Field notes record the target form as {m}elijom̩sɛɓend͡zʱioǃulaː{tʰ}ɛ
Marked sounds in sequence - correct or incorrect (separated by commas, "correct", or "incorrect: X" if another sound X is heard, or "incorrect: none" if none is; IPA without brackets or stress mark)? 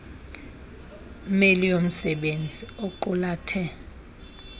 correct, correct